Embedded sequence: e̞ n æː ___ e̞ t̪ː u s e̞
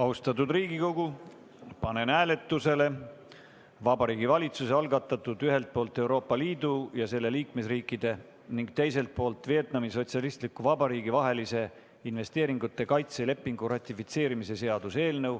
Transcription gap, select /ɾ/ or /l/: l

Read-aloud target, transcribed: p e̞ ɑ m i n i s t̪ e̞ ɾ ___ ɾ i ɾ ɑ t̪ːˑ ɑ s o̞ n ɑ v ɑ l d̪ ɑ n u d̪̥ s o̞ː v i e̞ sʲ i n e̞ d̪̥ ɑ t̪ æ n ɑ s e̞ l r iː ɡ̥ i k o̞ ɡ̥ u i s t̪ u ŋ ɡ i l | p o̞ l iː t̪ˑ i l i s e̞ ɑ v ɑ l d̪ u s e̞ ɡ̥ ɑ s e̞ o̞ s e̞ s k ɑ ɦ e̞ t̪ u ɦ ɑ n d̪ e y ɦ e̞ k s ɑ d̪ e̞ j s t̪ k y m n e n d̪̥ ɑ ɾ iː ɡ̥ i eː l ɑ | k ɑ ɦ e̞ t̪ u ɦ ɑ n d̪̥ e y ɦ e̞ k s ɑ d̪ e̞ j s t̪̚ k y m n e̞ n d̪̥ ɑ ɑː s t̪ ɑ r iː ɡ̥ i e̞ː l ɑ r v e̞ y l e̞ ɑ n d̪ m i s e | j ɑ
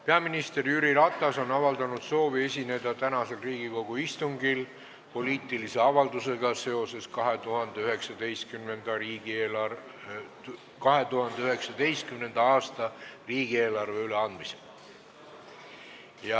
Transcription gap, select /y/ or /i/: y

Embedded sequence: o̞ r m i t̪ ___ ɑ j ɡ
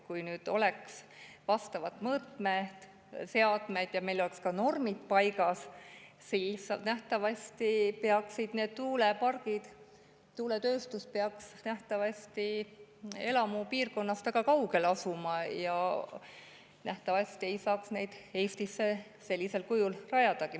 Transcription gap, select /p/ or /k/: p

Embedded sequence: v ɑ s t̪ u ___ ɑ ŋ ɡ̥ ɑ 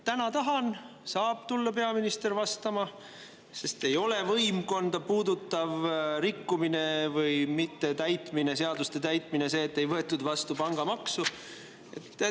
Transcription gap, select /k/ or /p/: p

